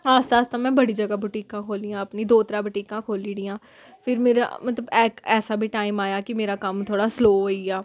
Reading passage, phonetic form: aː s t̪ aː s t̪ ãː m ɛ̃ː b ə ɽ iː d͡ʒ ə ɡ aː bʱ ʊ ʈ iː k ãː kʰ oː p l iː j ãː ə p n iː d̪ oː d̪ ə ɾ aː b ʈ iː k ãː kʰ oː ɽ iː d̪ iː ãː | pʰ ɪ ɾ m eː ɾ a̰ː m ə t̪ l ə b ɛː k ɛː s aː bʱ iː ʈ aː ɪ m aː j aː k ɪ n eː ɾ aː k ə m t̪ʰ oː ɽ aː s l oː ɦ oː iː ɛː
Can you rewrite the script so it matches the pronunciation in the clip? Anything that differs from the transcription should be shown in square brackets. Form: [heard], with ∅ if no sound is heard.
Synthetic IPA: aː s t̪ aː s t̪ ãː m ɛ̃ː b ə ɽ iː d͡ʒ ə ɡ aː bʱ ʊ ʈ iː k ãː kʰ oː [∅] l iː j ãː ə p n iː d̪ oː [t̪] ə ɾ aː b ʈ iː k ãː kʰ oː [l] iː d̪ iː ãː | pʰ ɪ ɾ m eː ɾ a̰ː m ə t̪ l ə b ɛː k ɛː s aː bʱ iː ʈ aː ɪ m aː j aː k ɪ [m] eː ɾ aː k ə m t̪ʰ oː ɽ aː s l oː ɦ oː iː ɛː